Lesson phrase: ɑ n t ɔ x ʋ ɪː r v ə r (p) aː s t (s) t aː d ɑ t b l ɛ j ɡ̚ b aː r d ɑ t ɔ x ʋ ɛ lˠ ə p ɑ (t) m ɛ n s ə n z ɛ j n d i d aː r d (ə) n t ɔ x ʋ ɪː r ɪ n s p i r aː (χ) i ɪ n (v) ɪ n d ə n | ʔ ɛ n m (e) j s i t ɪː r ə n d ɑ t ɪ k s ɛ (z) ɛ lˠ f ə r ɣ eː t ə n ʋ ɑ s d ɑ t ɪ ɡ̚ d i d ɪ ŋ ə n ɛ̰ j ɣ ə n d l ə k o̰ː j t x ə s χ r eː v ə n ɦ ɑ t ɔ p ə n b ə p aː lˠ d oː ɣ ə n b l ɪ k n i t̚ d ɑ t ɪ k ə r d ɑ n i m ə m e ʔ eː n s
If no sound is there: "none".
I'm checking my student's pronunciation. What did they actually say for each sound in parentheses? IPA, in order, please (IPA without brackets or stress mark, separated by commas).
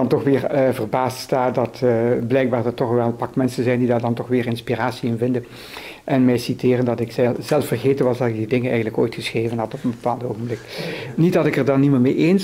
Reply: b, s, k, ɑ, s, v, ɛ, z